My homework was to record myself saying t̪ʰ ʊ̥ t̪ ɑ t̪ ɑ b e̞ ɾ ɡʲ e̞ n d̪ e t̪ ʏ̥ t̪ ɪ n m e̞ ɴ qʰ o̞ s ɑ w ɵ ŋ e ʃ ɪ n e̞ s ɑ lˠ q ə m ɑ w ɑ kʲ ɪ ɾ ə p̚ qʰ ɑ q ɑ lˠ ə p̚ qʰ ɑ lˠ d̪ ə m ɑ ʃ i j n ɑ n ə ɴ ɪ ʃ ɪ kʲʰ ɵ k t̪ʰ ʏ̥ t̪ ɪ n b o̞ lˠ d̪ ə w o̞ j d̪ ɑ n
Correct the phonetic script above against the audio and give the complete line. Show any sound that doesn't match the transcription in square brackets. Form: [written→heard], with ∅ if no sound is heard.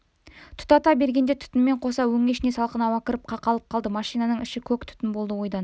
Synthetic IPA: t̪ʰ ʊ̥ t̪ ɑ t̪ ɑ b e̞ ɾ ɡʲ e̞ n d̪ e [t̪→t̪ʰ] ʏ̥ t̪ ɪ n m e̞ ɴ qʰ o̞ s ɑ w ɵ ŋ e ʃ ɪ n e̞ s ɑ lˠ q ə [m→n] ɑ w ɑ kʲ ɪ ɾ ə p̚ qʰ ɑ q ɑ lˠ ə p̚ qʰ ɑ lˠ d̪ ə m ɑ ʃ i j n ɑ n ə ɴ ɪ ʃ ɪ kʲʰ ɵ k t̪ʰ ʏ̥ t̪ ɪ n b o̞ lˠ d̪ ə w o̞ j d̪ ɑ n

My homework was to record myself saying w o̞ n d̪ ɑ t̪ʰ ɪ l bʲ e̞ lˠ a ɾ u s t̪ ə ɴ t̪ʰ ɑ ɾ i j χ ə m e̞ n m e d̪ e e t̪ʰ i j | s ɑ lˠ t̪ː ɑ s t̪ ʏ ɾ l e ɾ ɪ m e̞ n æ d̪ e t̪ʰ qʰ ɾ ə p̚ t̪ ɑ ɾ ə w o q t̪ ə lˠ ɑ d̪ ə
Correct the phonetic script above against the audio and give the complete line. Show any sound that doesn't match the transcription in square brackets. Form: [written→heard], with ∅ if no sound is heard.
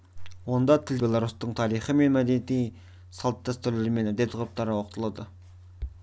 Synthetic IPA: w o̞ n d̪ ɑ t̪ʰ ɪ l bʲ e̞ lˠ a ɾ u s t̪ ə ɴ t̪ʰ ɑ ɾ i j χ ə m e̞ n m [e→æ] d̪ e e [t̪ʰ→t̪] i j | s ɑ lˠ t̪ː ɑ s t̪ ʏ ɾ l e ɾ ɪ m e̞ n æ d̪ e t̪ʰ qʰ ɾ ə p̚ t̪ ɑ ɾ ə w o q t̪ ə lˠ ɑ d̪ ə

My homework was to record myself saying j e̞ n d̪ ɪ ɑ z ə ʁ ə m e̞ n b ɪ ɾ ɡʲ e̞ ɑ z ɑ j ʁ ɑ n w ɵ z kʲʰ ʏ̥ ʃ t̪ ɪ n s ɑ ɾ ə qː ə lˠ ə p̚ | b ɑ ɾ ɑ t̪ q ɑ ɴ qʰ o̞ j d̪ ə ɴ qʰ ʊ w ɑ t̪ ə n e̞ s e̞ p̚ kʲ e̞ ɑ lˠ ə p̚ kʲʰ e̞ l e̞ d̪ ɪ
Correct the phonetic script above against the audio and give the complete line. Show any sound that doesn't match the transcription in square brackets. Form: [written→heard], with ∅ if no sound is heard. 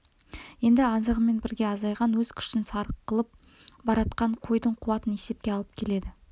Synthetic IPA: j e̞ n d̪ ɪ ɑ z ə ʁ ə m e̞ n b ɪ ɾ ɡʲ e̞ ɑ z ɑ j ʁ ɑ n w ɵ z kʲʰ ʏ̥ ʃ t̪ ɪ n s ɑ ɾ ə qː ə lˠ ə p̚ | b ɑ ɾ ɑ t̪ q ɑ ɴ qʰ o̞ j d̪ ə ɴ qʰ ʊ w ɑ t̪ ə n e̞ s e̞ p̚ kʲ e̞ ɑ lˠ ə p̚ kʲʰ e̞ l e̞ d̪ ɪ

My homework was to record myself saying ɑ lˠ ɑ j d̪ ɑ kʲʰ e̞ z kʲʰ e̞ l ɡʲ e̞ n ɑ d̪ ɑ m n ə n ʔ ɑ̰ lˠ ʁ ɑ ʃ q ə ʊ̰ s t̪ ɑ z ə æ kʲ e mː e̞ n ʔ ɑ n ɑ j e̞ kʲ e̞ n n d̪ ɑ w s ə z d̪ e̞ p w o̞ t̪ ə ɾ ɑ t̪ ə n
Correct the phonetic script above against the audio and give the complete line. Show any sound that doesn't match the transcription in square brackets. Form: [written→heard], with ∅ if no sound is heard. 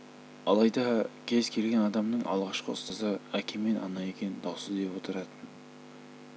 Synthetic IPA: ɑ lˠ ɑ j d̪ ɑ kʲʰ e̞ z kʲʰ e̞ l ɡʲ e̞ n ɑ d̪ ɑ m n ə [n→ɴ] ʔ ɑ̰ lˠ ʁ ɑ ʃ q ə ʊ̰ s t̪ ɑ z ə æ kʲ e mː e̞ n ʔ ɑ n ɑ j e̞ kʲ e̞ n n d̪ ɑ w s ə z d̪ e̞ p w o̞ t̪ ə ɾ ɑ t̪ ə n

